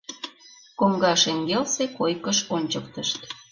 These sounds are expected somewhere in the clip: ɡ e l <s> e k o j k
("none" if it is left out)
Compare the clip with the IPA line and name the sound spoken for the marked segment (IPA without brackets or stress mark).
s